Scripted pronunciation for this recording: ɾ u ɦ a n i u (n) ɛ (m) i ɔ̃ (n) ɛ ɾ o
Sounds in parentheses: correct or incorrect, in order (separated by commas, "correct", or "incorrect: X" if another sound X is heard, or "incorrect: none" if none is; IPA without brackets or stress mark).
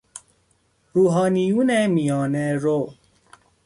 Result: correct, correct, correct